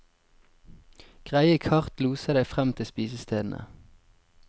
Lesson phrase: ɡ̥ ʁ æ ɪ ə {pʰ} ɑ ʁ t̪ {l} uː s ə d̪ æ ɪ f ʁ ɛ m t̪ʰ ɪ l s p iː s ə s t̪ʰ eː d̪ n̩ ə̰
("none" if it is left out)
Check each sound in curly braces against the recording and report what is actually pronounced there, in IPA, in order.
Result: kʰ, l

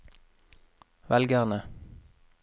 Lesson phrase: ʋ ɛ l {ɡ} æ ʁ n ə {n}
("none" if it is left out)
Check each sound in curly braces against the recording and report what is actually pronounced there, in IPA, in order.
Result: ɡ, none

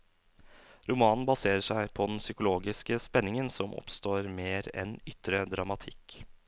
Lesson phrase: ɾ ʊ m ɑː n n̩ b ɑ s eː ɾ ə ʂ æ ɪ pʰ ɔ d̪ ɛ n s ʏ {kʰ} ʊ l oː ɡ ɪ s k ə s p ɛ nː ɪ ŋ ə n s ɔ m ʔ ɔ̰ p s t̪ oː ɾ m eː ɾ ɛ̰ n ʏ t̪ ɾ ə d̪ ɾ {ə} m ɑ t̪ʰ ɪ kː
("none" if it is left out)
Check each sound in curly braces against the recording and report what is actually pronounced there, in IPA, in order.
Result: k, ɑ

